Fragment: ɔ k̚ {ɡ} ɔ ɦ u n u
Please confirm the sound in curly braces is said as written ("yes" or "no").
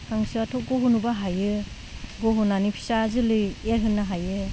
yes